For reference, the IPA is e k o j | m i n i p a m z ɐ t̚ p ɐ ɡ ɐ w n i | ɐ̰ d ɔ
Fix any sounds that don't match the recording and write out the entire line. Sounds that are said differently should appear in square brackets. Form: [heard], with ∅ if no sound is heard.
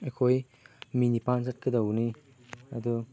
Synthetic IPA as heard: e [kʰ] o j | m i n i p a [n] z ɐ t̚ [k] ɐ [d] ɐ w n i | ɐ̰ d [u]